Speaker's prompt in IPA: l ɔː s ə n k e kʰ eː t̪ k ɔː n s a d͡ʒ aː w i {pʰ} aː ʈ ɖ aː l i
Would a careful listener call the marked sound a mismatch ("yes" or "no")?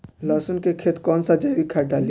yes